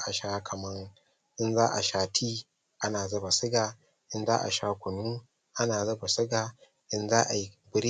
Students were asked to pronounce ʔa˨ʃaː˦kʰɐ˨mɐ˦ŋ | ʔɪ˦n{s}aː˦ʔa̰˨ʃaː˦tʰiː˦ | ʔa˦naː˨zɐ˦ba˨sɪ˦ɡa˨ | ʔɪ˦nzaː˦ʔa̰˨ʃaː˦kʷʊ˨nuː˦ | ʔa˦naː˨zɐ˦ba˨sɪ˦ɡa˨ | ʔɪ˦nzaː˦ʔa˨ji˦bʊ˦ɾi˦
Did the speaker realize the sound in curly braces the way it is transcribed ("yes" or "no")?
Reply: no